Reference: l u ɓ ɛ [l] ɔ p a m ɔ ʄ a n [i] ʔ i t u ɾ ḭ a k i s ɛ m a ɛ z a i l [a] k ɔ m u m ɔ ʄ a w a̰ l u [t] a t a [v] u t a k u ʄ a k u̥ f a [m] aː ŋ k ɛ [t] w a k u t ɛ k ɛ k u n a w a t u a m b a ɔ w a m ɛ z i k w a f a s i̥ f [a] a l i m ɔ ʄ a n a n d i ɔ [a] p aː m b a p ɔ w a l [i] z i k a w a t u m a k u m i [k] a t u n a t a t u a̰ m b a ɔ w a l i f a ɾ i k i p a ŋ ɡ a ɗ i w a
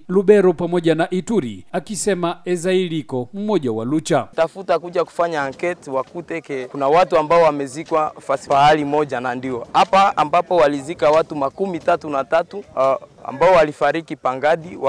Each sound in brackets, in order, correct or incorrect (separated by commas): incorrect, incorrect, incorrect, incorrect, incorrect, incorrect, correct, correct, correct, correct, incorrect